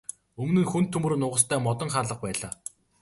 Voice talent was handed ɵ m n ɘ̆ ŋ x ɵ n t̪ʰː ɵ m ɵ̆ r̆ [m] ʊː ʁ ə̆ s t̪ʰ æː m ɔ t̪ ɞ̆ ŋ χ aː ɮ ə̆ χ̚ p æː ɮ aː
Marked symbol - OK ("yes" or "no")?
no